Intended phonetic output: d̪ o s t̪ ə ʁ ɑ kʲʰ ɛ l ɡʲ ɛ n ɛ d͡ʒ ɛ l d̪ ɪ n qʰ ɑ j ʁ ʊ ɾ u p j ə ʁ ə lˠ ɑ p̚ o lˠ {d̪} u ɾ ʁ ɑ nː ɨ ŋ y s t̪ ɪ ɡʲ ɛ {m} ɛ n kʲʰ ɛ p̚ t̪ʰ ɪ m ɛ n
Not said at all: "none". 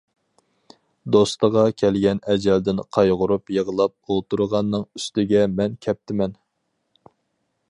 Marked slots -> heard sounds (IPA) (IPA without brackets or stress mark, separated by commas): t̪, m